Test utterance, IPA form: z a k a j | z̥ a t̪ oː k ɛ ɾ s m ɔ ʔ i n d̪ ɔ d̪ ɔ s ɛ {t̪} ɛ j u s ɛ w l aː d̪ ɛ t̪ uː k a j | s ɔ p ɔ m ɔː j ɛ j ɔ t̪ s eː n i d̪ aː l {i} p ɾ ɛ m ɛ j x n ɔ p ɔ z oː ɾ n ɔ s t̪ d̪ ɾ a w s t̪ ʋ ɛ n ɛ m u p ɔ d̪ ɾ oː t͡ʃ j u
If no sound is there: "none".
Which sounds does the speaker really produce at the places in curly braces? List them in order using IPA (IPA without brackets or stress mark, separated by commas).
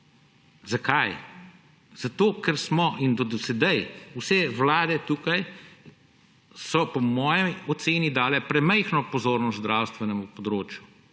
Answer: d̪, ɛ